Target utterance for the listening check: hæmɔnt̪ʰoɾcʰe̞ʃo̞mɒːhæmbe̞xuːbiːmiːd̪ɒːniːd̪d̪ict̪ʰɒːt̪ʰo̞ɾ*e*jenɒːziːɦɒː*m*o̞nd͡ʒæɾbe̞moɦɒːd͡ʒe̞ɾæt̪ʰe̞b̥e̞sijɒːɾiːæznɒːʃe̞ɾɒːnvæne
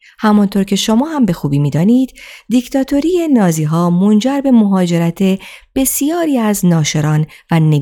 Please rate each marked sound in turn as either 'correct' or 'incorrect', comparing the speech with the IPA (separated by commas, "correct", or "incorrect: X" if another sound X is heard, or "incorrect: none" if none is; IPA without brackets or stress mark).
incorrect: i, correct